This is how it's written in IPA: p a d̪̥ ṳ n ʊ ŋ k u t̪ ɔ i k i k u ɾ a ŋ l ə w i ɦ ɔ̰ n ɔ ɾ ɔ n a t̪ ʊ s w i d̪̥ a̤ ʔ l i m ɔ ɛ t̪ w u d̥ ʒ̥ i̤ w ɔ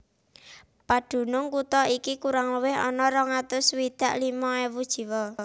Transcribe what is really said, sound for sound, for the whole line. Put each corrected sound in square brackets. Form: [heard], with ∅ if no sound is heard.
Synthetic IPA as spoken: p a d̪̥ ṳ n ʊ ŋ k u t̪ ɔ i k i k u ɾ a ŋ l ə w [ɪ] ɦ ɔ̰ n ɔ ɾ ɔ [ŋ] a t̪ ʊ s w i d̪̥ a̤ ʔ l i m ɔ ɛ [∅] w u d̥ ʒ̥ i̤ w ɔ